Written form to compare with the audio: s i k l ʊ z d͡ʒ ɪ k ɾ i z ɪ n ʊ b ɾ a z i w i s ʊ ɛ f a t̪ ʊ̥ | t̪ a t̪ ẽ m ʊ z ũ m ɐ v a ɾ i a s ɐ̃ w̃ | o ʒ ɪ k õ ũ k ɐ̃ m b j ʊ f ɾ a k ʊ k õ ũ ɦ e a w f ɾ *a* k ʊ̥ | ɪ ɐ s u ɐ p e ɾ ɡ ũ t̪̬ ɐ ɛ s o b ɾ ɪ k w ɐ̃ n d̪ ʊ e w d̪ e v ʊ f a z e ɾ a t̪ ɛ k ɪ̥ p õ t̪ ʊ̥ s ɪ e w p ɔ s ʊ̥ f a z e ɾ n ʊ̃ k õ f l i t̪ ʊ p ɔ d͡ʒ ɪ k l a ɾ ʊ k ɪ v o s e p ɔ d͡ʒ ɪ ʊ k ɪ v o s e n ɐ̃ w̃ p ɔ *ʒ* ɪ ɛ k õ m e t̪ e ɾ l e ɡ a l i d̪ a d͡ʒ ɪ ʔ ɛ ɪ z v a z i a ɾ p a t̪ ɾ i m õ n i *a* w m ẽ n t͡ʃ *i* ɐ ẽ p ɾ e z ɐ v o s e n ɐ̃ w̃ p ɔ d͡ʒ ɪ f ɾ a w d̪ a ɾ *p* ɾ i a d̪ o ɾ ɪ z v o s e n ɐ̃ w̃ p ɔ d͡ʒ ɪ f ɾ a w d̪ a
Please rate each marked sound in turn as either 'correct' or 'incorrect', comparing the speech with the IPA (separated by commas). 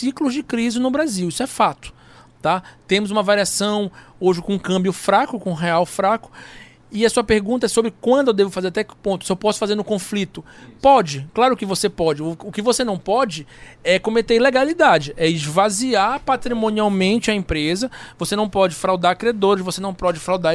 correct, incorrect, correct, incorrect, incorrect